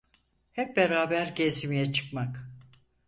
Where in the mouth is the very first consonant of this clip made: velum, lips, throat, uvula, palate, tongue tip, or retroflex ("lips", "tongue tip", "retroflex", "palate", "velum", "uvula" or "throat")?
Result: throat